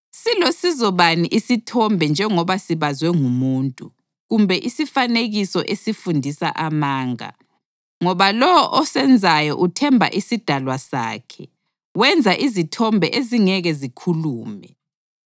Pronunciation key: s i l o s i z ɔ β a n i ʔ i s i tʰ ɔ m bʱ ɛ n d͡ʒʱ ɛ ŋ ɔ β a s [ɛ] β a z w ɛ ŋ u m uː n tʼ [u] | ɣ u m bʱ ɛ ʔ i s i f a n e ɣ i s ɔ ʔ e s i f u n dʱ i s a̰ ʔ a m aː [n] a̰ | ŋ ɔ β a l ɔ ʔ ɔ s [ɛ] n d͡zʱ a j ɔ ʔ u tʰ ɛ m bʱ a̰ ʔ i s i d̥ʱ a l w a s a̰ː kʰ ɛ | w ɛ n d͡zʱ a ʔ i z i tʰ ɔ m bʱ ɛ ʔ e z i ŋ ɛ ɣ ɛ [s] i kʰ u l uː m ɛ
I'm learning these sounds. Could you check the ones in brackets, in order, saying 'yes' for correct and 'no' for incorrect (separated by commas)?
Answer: no, yes, no, yes, no